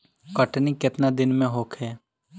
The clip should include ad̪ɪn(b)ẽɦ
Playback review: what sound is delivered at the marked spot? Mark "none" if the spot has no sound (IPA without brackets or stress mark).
m